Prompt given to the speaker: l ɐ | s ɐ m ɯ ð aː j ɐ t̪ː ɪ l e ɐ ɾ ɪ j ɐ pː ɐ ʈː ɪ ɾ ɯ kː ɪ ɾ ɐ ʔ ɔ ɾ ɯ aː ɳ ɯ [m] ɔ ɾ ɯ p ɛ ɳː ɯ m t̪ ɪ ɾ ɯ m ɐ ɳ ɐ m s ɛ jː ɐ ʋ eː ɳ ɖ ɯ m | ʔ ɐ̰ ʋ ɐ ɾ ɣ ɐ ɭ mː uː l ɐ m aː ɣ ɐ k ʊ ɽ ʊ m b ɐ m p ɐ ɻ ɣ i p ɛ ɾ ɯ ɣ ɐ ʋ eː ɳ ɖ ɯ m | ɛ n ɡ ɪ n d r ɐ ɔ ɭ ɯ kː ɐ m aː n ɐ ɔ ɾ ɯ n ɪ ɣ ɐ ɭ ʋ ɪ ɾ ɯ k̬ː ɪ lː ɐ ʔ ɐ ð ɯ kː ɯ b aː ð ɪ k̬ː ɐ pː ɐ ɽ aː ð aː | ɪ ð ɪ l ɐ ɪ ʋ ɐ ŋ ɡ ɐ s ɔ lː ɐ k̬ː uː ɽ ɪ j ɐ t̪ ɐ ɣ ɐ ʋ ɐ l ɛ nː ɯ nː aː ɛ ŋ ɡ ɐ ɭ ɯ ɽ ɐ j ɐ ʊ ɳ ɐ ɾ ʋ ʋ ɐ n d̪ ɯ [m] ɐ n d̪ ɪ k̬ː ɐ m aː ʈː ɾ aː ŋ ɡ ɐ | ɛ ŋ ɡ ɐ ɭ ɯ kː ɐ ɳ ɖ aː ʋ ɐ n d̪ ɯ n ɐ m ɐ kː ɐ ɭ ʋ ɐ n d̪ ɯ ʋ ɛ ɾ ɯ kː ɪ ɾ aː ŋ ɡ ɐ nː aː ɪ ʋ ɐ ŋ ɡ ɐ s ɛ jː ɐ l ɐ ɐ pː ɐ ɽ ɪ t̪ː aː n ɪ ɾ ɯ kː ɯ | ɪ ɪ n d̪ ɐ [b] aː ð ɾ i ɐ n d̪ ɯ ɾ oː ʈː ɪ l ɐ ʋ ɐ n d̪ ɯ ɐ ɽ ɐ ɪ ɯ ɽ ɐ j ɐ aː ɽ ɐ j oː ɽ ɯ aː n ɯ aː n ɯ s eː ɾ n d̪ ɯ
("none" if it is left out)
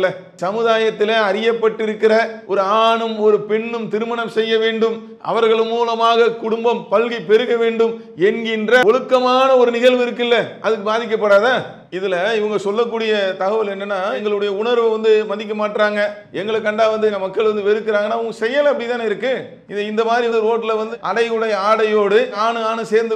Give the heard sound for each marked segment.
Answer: m, m, m

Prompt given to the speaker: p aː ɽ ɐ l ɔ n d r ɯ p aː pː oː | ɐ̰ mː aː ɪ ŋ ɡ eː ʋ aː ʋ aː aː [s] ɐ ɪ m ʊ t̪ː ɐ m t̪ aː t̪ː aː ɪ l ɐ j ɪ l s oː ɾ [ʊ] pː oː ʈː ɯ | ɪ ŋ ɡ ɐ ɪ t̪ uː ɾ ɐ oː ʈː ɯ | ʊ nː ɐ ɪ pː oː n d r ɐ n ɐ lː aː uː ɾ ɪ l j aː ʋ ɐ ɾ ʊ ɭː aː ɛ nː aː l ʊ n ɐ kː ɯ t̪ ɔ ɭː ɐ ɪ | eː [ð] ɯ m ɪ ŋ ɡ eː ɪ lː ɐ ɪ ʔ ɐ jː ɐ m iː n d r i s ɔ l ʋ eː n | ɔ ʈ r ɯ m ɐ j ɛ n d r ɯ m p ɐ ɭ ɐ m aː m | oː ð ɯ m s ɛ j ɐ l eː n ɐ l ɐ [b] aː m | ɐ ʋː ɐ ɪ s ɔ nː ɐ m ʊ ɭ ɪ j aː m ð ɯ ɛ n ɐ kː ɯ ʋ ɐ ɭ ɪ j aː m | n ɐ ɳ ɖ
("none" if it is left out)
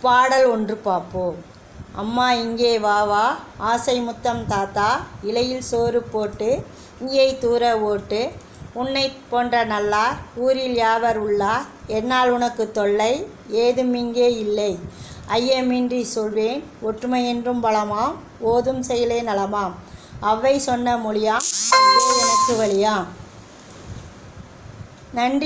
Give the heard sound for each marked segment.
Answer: s, ɯ, ð, m

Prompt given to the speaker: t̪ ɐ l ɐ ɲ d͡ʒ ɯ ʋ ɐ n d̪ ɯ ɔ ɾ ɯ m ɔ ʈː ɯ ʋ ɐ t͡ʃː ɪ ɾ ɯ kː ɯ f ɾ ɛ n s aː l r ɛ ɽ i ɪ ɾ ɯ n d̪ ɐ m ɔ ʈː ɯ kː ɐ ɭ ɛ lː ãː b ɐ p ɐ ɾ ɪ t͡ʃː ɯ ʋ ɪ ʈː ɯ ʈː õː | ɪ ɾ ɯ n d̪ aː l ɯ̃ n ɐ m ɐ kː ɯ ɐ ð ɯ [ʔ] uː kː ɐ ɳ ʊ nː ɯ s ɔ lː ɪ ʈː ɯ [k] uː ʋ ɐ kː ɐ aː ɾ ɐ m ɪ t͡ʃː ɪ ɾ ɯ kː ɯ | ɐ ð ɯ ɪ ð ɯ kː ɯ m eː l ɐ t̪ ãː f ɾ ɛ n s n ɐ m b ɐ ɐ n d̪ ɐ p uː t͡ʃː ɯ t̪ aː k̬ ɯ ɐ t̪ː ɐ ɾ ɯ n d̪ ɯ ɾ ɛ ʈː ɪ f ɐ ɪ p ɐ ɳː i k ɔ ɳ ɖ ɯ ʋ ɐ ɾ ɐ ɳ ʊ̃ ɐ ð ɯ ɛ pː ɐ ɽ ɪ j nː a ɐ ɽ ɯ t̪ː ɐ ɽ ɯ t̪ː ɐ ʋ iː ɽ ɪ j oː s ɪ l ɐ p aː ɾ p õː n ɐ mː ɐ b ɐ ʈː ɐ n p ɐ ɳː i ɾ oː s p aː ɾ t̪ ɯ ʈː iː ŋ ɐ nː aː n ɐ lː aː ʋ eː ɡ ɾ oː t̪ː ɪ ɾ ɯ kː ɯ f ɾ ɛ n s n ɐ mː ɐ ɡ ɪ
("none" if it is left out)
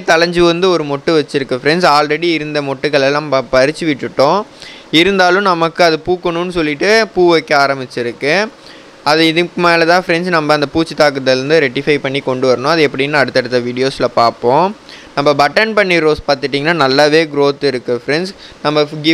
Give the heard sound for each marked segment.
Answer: p, p

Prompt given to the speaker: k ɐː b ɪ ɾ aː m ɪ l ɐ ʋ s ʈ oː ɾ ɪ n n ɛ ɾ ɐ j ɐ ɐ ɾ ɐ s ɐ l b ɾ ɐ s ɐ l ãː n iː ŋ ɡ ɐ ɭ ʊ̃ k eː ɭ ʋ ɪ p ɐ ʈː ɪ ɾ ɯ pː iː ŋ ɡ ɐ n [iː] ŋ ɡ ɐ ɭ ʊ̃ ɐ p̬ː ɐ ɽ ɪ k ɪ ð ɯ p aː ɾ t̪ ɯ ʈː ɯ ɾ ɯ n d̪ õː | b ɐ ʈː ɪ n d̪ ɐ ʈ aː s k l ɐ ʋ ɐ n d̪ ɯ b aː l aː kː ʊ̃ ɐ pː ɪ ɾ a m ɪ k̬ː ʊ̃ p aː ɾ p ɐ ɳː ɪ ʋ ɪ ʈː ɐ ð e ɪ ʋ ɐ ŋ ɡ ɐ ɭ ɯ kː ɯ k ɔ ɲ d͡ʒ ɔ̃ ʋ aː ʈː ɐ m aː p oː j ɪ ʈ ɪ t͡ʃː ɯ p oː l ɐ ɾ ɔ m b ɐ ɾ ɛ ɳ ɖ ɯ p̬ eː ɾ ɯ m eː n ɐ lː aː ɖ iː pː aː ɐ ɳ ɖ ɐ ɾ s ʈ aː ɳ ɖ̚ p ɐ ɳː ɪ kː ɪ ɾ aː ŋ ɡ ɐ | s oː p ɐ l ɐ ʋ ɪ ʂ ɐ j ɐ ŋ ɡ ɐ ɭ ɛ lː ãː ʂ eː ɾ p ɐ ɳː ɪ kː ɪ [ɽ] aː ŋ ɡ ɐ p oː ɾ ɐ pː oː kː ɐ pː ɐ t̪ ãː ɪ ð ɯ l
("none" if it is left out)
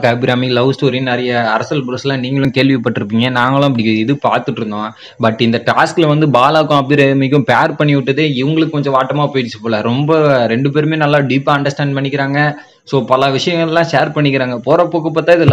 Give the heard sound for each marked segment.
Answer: aː, ɾ

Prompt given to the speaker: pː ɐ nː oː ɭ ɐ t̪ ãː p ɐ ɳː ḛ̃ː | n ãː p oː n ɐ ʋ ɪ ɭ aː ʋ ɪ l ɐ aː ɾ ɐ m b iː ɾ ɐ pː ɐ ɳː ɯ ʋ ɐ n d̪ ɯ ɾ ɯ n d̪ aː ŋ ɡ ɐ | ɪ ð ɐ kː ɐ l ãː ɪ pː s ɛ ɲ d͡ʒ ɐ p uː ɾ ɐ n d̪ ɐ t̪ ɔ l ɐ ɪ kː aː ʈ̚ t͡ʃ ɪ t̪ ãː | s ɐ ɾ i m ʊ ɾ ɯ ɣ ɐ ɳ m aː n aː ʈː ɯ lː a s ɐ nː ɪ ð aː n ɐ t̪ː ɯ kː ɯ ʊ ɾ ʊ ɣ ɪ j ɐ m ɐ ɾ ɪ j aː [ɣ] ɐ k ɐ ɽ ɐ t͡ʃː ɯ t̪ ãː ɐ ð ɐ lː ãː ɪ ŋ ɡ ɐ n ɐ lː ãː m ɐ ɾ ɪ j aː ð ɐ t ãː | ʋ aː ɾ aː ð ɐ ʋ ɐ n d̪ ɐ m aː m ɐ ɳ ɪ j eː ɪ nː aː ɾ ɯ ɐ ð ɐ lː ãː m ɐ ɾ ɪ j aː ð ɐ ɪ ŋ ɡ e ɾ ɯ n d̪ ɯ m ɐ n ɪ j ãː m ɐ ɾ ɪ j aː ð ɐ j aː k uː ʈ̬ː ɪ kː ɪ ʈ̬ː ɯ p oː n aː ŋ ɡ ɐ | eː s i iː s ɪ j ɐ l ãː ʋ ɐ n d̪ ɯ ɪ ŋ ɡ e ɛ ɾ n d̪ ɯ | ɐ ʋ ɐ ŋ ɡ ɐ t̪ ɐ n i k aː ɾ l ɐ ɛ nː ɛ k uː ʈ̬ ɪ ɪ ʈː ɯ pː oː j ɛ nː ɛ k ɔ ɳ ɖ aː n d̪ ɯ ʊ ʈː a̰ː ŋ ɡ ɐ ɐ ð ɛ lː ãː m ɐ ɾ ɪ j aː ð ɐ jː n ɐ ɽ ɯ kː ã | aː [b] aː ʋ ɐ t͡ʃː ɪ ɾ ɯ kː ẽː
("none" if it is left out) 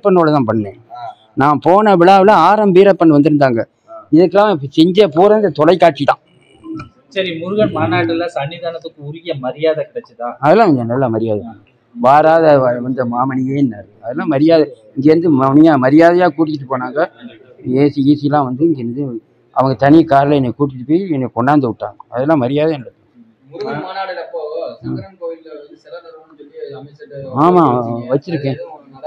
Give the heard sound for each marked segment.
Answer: ð, m

